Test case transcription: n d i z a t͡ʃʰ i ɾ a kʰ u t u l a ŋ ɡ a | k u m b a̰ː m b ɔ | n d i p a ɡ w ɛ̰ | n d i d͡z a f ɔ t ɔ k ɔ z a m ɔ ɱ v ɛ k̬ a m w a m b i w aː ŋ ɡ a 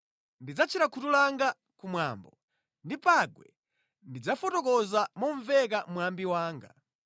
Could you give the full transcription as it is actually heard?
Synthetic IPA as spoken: n d i d͡z a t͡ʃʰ i ɾ a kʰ u t u l a ŋ ɡ a | k u m w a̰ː m b ɔ | n d i p a ɡ w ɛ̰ | n d i d͡z a f ɔ t ɔ k ɔ z a m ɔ ɱ v ɛ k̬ a m w a m b i w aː ŋ ɡ a